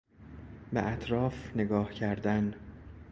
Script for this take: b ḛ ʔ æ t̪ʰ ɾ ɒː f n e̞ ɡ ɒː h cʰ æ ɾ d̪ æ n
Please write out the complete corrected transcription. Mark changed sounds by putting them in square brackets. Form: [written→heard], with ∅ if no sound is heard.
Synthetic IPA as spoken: b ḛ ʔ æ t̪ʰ ɾ ɒː f n e̞ ɡ ɒː h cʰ æ ɾ d̪ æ n